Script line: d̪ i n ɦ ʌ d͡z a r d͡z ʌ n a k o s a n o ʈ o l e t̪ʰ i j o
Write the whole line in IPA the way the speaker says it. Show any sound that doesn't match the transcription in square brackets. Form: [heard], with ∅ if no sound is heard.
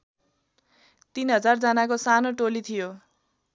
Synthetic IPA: [t̪] i n ɦ ʌ d͡z a r d͡z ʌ n a k o s a n o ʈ o l [i] t̪ʰ i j o

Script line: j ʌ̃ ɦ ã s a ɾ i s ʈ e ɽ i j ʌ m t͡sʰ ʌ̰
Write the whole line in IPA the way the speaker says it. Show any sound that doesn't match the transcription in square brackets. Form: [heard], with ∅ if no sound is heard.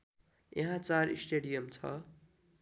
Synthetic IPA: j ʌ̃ ɦ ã [t͡s] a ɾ i s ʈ e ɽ i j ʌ m t͡sʰ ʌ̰

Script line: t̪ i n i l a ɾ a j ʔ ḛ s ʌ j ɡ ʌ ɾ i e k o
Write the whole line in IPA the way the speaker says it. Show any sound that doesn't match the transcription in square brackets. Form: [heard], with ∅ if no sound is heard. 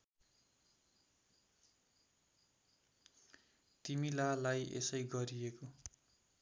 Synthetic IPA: t̪ i [m] i l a [l] a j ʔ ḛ s ʌ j ɡ ʌ ɾ i e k o

